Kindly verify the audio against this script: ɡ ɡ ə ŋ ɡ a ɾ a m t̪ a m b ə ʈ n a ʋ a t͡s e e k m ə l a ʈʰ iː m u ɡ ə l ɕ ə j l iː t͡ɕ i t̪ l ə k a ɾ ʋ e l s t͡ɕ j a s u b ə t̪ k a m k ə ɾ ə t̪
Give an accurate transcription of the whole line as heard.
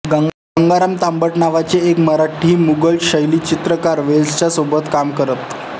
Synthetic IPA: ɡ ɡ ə ŋ ɡ a ɾ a m t̪ a m b ə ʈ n a ʋ a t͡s e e k m ə ɾ a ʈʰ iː m u ɡ ə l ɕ ə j l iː t͡ɕ i t̪ ɾ ə k a ɾ ʋ e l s t͡ɕ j a s o b ə t̪ k a m k ə ɾ ə t̪